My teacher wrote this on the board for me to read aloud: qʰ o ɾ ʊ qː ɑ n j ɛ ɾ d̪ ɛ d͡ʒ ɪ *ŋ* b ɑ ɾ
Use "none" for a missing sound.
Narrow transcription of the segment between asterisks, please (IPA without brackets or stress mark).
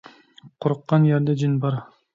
n